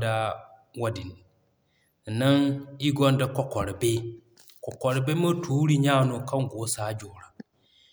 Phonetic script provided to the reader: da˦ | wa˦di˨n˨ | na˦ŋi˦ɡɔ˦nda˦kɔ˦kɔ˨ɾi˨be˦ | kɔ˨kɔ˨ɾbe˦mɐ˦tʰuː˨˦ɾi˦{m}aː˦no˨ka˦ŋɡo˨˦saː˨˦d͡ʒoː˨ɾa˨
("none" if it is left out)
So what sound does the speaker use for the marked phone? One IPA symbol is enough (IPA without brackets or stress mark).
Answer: ɲ